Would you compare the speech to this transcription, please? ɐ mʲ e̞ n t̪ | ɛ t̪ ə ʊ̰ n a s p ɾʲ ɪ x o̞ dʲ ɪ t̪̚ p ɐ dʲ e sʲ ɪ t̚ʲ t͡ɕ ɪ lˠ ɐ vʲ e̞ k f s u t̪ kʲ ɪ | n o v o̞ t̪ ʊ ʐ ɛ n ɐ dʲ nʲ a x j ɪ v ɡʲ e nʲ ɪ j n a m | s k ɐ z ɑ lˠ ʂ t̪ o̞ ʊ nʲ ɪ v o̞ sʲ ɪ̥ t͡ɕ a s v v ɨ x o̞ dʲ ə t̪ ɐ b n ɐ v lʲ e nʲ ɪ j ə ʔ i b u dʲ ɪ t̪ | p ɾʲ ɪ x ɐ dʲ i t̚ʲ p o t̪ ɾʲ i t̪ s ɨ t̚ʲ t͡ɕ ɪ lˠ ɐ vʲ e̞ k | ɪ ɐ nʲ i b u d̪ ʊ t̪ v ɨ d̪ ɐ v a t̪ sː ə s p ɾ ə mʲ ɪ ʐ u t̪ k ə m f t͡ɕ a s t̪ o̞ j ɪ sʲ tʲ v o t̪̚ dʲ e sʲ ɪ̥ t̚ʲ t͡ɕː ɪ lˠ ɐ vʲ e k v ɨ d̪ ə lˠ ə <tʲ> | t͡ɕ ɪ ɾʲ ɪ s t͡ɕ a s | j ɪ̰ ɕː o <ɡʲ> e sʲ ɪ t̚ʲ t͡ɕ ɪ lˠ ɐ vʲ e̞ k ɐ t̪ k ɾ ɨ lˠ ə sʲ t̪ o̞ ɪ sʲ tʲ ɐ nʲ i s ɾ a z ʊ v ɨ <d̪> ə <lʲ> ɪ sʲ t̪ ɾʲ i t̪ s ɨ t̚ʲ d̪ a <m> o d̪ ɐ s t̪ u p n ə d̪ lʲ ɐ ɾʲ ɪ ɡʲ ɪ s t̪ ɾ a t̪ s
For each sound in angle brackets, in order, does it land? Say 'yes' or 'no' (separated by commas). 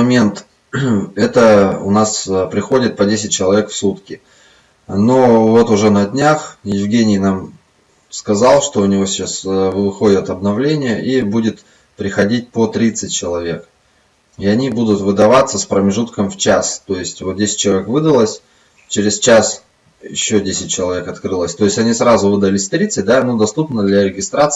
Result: no, no, yes, yes, no